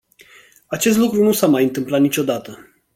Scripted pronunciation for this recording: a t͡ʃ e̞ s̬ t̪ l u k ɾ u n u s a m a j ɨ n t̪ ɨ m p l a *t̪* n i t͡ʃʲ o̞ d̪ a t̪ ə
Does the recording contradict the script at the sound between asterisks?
no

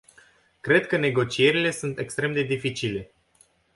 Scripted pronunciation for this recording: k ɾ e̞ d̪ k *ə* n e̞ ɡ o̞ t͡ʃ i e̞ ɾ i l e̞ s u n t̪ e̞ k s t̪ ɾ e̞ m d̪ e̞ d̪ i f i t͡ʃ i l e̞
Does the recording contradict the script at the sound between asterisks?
no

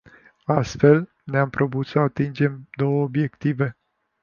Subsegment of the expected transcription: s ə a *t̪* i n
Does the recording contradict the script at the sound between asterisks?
no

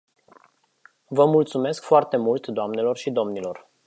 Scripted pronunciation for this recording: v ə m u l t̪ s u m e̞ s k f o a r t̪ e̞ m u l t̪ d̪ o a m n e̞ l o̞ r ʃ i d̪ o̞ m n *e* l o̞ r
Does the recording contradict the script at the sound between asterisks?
yes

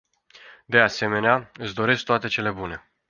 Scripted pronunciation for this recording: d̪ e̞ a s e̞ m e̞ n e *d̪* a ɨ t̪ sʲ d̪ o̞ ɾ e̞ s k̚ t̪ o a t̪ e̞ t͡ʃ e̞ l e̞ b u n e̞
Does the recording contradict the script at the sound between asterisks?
yes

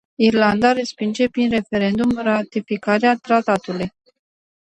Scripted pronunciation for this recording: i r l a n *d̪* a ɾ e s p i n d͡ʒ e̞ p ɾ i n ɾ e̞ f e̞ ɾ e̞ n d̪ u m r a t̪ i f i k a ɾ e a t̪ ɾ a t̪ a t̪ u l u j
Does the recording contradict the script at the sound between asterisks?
no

